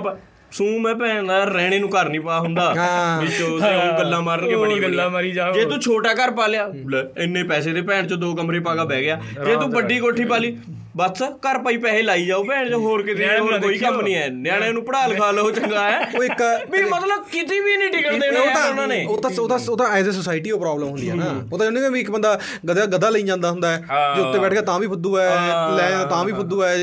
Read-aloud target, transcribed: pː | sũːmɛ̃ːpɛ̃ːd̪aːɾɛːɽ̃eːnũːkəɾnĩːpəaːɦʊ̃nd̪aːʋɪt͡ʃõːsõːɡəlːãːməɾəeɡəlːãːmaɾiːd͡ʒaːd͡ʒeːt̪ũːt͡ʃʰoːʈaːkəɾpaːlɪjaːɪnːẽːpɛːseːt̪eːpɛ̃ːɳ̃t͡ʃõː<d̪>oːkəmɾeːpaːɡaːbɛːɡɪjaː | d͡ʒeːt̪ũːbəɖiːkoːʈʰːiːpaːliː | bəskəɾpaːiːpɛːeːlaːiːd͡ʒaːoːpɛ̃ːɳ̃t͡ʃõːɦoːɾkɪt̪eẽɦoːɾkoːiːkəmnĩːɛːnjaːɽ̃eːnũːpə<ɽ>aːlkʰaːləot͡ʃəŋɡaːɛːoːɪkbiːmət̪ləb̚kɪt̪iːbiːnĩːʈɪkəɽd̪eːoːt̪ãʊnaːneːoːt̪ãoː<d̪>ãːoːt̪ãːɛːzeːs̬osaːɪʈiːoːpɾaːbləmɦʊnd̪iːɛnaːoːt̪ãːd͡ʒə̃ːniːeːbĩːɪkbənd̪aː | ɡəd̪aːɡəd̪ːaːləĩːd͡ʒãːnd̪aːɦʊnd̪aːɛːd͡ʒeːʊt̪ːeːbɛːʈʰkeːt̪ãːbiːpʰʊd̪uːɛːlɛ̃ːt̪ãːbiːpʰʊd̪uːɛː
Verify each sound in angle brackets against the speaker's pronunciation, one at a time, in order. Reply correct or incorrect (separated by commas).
correct, correct, incorrect